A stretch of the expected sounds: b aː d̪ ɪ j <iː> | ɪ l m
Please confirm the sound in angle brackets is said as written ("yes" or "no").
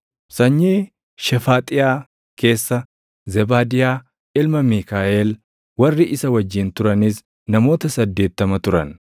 no